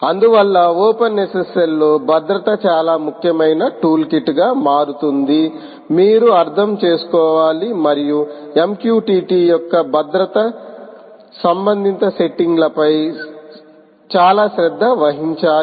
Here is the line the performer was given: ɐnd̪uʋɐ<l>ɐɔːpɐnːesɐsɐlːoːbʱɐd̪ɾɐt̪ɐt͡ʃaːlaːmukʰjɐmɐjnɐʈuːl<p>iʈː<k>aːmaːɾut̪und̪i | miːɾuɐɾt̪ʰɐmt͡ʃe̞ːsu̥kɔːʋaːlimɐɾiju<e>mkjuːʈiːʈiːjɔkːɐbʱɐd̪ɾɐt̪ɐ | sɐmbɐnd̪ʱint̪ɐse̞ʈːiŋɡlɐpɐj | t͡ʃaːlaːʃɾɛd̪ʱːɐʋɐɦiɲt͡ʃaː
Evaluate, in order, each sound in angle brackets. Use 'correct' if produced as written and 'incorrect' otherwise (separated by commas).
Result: incorrect, incorrect, incorrect, correct